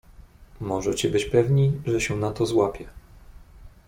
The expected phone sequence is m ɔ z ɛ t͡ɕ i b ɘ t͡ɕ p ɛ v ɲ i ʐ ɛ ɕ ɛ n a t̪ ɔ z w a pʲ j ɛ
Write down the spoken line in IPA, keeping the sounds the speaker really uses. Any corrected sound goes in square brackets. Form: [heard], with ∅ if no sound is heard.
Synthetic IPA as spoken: m ɔ [ʐ] ɛ t͡ɕ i b ɘ t͡ɕ p ɛ v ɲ i ʐ ɛ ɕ ɛ n a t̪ ɔ z w a pʲ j ɛ

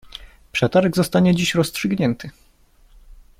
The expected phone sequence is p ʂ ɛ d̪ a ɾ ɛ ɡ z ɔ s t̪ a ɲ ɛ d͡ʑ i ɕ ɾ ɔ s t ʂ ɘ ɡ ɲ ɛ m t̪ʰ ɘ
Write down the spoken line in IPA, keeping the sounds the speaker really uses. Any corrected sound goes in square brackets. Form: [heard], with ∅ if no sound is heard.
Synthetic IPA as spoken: p ʂ ɛ [t̪] a ɾ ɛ ɡ z ɔ s t̪ a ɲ ɛ d͡ʑ i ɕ ɾ ɔ s t ʂ ɘ ɡ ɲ ɛ [n] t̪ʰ ɘ

